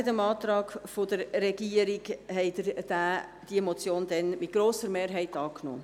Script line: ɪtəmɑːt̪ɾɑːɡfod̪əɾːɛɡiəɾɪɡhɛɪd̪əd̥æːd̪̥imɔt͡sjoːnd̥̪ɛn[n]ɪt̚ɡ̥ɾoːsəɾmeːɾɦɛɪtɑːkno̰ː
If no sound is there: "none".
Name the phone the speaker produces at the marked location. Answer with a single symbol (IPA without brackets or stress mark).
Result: m